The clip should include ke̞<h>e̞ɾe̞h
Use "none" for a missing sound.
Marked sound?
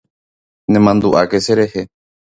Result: s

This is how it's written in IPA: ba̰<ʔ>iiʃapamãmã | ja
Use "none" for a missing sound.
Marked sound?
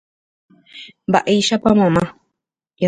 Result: ʔ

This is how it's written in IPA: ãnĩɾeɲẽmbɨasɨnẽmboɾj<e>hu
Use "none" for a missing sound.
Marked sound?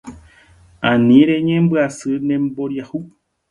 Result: a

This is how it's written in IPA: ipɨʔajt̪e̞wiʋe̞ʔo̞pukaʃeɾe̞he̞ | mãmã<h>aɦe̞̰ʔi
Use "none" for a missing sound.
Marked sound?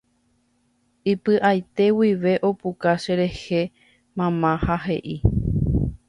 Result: h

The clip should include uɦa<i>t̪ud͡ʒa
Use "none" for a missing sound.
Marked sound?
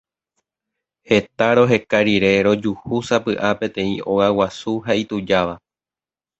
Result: i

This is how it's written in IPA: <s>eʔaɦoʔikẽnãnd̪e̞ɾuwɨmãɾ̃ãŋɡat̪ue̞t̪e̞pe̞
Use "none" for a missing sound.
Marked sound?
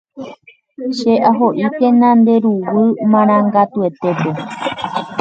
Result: ʃ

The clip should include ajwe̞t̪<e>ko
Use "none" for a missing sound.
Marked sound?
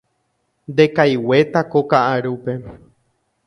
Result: a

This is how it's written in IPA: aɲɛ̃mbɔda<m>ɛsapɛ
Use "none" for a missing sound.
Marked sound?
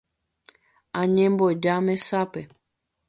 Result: m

